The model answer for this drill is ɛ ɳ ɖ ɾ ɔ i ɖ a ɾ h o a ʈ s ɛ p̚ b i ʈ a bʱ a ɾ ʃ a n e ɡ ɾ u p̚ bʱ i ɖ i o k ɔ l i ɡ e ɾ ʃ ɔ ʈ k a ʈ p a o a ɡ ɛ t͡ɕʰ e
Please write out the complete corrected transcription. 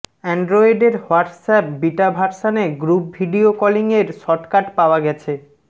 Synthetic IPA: ɛ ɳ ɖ ɾ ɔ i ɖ e ɾ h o a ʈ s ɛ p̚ b i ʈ a bʱ a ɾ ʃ a n e ɡ ɾ u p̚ bʱ i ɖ i o k ɔ l i ŋ e ɾ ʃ ɔ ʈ k a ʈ p a o a ɡ ɛ t͡ɕʰ e